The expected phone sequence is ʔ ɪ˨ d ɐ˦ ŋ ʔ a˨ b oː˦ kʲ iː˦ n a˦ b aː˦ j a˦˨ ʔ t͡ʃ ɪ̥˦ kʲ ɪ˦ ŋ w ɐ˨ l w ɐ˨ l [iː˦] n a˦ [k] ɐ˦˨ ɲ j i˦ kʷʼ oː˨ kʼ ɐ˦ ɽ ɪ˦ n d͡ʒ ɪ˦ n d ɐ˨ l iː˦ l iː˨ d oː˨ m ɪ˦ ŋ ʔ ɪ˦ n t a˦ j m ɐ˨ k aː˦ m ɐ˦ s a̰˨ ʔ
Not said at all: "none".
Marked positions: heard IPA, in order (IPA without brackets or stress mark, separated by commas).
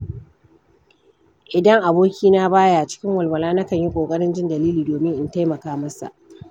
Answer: aː˦, k